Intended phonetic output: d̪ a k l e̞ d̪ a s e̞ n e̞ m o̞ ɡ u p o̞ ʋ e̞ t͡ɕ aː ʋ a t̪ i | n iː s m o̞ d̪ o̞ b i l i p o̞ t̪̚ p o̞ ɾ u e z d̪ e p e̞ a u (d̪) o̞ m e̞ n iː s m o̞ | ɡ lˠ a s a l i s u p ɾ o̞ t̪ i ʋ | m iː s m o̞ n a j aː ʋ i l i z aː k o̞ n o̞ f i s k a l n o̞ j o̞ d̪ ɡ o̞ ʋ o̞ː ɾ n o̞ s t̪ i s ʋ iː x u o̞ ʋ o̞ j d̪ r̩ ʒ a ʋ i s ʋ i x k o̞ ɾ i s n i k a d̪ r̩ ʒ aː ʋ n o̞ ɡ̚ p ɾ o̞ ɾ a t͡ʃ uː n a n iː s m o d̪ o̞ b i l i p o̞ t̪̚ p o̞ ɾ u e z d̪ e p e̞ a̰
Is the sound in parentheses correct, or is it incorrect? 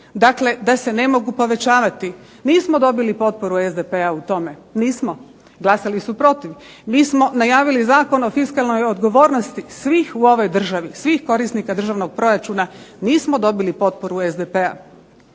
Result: incorrect